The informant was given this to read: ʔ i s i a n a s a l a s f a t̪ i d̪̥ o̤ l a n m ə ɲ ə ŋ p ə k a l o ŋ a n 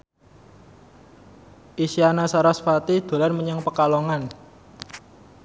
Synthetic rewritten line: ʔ i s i a n a s a ɾ a s f a t̪ i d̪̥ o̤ l a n m ə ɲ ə ŋ p ə k a l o ŋ a n

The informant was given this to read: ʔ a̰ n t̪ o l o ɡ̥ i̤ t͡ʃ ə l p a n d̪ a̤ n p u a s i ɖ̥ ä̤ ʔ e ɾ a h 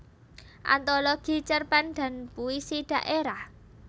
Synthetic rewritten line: ʔ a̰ n t̪ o l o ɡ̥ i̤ t͡ʃ ə r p a n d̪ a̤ n p u i s i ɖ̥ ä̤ ʔ e ɾ a h

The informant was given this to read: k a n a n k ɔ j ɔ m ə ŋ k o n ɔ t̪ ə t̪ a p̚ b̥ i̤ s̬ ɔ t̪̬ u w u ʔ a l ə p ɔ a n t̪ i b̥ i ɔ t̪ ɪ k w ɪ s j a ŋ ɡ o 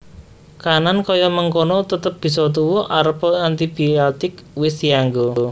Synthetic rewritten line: k a n a n k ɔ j ɔ m ə ŋ k o n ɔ t̪ ə t̪ ə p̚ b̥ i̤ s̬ ɔ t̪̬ u w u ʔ a ɾ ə p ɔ a n t̪ i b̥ i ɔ t̪ ɪ k w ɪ s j a ŋ ɡ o

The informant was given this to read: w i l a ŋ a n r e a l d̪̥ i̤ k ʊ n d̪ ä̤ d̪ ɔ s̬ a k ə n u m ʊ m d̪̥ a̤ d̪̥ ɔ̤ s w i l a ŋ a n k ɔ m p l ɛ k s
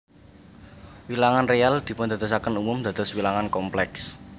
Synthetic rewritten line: w i l a ŋ a n r e a l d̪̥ i̤ p ʊ n d̪ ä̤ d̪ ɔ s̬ a k ə n u m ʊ m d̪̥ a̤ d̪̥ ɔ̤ s w i l a ŋ a n k ɔ m p l ɛ k s

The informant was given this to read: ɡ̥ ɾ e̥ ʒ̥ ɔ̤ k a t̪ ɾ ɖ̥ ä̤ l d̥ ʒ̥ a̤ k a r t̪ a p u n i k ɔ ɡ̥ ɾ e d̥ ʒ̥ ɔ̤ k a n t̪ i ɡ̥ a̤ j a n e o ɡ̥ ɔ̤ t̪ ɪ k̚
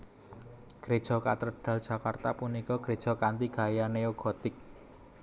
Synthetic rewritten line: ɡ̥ ɾ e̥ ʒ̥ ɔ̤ k a t̪ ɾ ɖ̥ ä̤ l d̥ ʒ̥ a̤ k a r t̪ a p u n i k ɔ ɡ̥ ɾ e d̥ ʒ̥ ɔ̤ k a n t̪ i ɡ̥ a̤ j a n e o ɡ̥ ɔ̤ t̪ ɪ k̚

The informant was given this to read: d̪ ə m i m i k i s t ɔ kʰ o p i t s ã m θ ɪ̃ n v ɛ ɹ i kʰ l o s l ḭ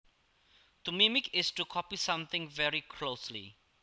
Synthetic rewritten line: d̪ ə m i m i k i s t u kʰ ɔ p i s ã m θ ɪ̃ ŋ v ɛ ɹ i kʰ l o s l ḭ

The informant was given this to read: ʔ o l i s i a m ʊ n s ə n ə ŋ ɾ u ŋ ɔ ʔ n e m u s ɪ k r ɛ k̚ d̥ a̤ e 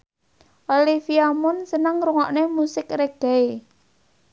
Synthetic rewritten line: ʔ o l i f i a m ʊ n s ə n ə ŋ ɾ u ŋ ɔ ʔ n e m u s ɪ k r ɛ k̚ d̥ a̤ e

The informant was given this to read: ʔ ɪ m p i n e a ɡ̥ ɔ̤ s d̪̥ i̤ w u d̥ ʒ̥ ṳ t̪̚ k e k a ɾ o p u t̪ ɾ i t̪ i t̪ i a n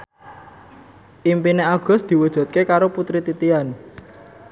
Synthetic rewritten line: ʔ i m p i n e a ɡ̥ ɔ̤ s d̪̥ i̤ w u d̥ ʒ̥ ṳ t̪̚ k e k a ɾ o p u t̪ ɾ i t̪ i t̪ i a n

